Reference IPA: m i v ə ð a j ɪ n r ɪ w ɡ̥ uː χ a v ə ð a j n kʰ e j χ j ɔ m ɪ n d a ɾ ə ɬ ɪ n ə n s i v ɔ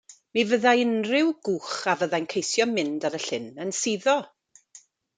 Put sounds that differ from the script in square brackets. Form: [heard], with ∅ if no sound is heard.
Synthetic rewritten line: m i v ə ð a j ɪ n r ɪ w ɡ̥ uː χ a v ə ð a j n kʰ e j [s] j ɔ m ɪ n d a ɾ ə ɬ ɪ n ə n s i [ð] ɔ